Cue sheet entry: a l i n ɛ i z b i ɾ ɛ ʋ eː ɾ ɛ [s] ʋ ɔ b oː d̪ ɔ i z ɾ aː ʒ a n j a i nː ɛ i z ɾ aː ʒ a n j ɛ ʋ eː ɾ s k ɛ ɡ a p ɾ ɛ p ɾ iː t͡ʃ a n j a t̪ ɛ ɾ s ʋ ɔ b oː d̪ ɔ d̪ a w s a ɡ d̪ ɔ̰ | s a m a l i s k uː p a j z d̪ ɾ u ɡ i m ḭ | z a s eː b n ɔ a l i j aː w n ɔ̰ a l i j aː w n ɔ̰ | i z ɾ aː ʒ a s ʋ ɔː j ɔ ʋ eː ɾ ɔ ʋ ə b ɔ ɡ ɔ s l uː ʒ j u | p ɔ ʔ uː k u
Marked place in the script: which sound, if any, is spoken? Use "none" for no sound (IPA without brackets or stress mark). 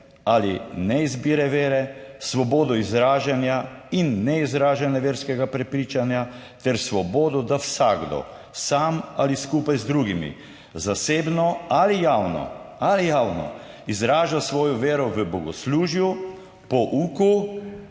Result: s